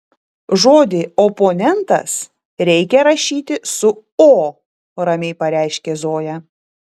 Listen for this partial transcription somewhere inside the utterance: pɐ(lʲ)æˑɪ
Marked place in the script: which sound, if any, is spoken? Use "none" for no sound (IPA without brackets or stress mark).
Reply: ɾʲ